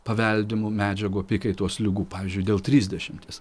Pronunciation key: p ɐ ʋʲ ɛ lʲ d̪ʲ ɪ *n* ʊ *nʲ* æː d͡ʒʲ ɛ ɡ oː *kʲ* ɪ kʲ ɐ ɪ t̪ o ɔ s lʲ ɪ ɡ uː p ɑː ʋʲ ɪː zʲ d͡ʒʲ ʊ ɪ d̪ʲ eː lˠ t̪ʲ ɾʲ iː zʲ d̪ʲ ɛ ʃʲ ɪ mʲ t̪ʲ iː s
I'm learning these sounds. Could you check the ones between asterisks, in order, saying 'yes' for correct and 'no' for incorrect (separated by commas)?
no, no, no